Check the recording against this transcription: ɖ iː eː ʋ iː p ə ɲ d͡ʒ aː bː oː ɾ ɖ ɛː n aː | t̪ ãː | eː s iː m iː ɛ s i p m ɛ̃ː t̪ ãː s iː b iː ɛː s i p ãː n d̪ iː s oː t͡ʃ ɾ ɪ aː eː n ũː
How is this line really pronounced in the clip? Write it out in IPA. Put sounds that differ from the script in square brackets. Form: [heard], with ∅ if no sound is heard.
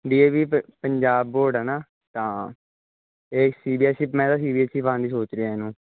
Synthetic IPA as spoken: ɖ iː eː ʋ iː p ə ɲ d͡ʒ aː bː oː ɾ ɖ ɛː n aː | t̪ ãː | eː s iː [b] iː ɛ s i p m ɛ̃ː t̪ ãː s iː b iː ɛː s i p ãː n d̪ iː s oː t͡ʃ ɾ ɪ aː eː n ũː